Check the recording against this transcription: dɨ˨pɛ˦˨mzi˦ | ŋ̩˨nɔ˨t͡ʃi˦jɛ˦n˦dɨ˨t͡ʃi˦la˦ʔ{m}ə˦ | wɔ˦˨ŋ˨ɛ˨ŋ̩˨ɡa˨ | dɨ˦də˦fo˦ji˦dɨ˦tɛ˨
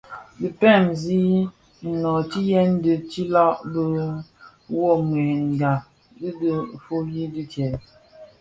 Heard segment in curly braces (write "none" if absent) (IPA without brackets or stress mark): b